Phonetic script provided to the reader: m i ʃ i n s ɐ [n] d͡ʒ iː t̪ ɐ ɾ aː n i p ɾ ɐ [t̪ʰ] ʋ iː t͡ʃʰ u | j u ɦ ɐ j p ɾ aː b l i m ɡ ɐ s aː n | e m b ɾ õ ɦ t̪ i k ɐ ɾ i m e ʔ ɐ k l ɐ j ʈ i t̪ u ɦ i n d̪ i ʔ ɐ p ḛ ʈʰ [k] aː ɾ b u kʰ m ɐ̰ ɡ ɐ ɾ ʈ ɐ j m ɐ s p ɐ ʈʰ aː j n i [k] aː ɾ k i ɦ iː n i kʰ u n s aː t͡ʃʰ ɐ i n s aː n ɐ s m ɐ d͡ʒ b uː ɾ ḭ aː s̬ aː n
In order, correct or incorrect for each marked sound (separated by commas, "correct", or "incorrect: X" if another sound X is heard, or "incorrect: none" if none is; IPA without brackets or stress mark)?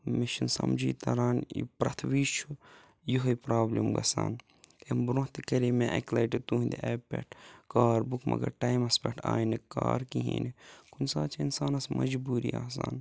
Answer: incorrect: m, correct, correct, correct